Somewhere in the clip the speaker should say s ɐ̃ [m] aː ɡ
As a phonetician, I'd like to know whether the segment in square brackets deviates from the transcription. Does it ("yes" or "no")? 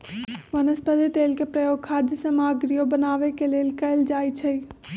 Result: no